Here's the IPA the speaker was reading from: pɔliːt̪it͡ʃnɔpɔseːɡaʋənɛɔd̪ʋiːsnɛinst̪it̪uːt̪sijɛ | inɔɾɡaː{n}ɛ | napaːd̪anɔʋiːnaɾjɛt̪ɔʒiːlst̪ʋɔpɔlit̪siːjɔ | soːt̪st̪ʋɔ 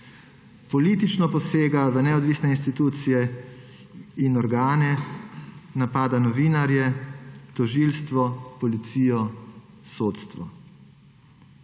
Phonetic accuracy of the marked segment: correct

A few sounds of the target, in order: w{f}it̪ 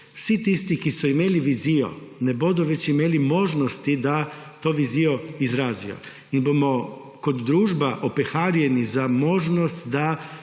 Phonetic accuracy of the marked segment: incorrect: s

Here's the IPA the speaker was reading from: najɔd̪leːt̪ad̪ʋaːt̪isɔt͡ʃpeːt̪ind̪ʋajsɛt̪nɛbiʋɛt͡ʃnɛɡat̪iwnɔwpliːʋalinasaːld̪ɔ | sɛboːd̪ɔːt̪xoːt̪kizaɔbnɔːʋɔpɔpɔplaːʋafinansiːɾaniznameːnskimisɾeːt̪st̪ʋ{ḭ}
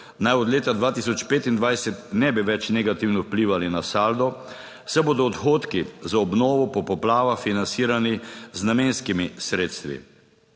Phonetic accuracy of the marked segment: correct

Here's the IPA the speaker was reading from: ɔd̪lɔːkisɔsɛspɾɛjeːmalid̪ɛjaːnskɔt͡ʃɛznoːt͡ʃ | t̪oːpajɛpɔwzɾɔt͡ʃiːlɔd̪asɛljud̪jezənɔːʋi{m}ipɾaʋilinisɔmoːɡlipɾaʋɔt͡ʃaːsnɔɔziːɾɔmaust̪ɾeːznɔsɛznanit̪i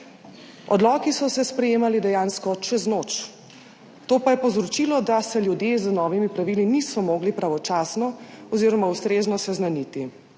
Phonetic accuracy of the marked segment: correct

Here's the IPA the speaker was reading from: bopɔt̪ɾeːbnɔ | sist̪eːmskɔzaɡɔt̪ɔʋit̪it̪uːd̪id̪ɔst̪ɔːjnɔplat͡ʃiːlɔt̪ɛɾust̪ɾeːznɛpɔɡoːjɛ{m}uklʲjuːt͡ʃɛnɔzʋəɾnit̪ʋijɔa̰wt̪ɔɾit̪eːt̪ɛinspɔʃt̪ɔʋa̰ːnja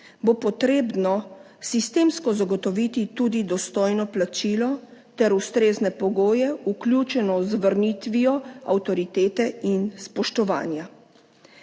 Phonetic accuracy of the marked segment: incorrect: none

